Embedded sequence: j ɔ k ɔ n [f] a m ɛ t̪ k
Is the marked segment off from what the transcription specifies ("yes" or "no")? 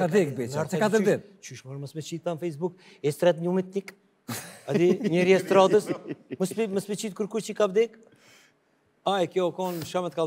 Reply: yes